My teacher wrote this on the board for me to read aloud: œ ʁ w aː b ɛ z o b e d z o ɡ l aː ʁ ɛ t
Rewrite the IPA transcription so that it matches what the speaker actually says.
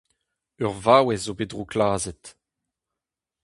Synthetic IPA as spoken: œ ʁ v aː w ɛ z o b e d ʁ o k l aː z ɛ t